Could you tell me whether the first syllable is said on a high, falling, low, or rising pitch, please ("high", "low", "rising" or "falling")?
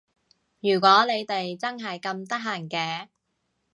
low